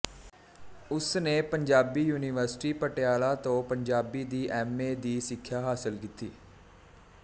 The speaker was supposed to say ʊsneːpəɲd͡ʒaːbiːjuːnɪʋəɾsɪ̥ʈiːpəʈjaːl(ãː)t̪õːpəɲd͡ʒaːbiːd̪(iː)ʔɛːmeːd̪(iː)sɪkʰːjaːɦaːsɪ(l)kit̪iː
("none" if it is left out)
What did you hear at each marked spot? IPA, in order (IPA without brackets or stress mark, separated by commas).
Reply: aː, iː, iː, l